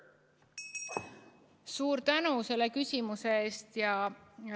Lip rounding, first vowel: rounded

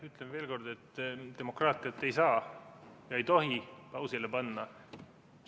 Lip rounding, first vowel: rounded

